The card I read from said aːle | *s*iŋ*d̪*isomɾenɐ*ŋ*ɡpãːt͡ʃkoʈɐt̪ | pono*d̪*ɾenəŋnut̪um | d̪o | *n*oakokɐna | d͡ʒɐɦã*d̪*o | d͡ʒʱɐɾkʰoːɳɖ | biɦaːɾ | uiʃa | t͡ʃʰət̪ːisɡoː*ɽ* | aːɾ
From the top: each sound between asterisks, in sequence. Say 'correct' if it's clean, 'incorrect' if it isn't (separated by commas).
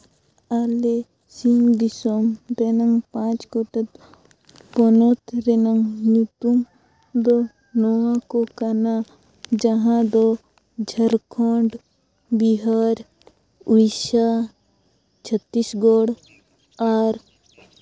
correct, correct, correct, incorrect, correct, correct, correct